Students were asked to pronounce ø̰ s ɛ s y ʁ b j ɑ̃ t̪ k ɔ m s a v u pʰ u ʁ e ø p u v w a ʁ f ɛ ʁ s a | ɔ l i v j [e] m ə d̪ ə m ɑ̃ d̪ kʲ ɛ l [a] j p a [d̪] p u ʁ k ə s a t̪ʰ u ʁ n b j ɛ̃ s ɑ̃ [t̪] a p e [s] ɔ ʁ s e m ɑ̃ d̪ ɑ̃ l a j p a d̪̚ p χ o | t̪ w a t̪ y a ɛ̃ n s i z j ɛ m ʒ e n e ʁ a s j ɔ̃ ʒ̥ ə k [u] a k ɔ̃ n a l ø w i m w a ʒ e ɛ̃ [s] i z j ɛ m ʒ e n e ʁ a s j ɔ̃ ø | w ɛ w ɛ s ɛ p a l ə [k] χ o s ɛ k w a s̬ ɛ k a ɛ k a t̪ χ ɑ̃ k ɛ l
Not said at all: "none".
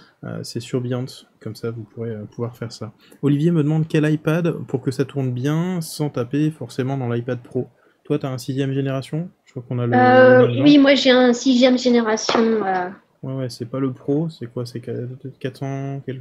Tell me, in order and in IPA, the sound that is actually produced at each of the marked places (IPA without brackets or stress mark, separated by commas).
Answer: e, a, d̪, t̪, f, w, s, p